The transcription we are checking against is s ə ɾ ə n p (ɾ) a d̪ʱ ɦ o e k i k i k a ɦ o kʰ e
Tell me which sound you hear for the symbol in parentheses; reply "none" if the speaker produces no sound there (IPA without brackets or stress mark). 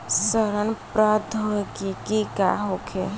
ɾ